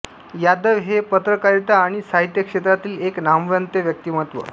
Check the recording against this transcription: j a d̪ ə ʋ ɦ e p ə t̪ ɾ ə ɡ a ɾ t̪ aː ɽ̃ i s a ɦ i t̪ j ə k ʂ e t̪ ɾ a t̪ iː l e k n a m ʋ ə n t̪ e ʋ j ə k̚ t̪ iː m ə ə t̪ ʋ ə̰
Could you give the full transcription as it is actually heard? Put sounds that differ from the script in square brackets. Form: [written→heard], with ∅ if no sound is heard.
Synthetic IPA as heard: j a d̪ ə ʋ ɦ e p ə t̪ ɾ ə [ɡ→k] a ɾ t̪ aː ɽ̃ i s a ɦ i t̪ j ə k ʂ e t̪ ɾ a t̪ iː l e k n a m ʋ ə n t̪ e ʋ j ə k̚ t̪ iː m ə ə t̪ ʋ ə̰